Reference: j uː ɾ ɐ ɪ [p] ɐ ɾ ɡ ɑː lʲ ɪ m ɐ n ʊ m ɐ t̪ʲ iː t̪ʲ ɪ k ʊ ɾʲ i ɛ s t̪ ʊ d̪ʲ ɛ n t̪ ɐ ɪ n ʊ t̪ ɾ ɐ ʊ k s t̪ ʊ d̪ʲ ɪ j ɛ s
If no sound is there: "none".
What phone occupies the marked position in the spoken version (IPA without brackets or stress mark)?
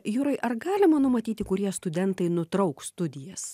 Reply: ʔ